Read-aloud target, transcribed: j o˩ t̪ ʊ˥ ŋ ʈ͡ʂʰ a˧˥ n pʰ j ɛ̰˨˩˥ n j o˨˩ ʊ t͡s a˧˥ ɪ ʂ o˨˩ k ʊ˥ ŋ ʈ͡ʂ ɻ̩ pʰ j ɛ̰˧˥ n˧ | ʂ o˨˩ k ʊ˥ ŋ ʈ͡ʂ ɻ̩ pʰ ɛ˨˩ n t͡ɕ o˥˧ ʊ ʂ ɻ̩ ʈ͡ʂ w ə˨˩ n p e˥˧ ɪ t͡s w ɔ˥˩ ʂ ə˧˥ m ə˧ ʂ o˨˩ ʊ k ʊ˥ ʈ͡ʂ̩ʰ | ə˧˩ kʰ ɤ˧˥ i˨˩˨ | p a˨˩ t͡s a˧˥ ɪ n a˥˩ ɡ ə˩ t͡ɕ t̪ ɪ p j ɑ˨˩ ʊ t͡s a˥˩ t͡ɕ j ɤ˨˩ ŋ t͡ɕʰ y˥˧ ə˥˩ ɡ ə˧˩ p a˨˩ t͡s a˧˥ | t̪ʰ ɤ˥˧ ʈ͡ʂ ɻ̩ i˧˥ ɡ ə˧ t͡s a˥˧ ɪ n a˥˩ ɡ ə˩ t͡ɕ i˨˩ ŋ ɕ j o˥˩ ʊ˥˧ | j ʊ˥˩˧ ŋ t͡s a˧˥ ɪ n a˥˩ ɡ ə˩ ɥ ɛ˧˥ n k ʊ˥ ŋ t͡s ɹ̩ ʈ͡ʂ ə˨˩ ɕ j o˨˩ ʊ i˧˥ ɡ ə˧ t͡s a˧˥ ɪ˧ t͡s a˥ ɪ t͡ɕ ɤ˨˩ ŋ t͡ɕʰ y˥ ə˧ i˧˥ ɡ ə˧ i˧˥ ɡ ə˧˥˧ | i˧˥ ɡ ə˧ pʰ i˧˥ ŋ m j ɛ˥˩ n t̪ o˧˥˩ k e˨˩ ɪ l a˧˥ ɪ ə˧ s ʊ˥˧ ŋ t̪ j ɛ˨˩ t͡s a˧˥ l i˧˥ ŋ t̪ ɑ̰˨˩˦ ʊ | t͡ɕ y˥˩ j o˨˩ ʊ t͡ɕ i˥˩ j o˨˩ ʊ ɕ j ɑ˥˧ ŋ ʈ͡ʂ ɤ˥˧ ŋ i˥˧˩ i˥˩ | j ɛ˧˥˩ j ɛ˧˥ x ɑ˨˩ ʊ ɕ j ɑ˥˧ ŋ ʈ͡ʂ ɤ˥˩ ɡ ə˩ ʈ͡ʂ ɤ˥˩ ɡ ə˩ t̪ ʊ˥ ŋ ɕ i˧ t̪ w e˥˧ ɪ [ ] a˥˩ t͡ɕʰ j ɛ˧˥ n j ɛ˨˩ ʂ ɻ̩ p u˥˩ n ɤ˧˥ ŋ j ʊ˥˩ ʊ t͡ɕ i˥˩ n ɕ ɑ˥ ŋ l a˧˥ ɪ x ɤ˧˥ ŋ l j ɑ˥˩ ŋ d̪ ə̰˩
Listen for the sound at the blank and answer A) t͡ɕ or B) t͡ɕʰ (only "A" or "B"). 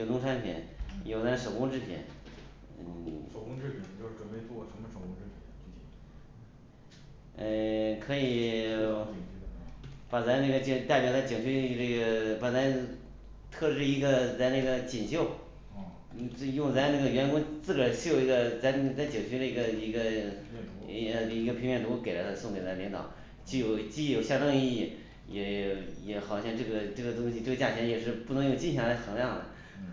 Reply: A